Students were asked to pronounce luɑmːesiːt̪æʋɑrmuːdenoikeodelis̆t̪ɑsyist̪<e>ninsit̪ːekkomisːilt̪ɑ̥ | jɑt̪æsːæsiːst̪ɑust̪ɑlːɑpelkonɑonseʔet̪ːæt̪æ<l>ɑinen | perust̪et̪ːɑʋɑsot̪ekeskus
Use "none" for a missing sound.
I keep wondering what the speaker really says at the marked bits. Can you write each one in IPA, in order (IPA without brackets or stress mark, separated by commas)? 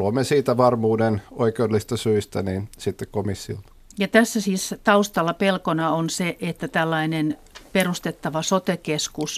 æ, lː